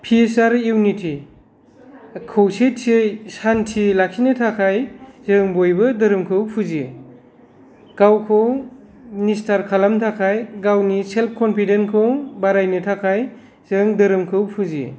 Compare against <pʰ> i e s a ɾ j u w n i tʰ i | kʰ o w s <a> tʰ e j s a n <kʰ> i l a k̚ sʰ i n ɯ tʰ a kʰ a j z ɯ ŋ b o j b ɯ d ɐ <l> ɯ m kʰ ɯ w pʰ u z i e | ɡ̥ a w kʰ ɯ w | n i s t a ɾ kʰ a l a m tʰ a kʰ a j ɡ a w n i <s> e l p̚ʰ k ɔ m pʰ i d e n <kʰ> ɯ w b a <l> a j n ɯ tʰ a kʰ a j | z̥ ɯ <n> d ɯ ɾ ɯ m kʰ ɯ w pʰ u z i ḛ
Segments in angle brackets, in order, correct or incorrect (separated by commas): correct, incorrect, incorrect, incorrect, correct, correct, incorrect, incorrect